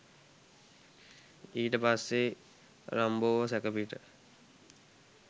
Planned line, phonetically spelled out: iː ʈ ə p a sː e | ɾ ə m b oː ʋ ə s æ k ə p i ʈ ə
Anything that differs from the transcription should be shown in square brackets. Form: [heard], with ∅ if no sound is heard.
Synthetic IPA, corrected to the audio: iː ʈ ə p a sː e | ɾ [a] m b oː ʋ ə s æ k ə p i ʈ ə